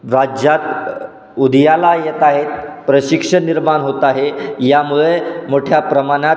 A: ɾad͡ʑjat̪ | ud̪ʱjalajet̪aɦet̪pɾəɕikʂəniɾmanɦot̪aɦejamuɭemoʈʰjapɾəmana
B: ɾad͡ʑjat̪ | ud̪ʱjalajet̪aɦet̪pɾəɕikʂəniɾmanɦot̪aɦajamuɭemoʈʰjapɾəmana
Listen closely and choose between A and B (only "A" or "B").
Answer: A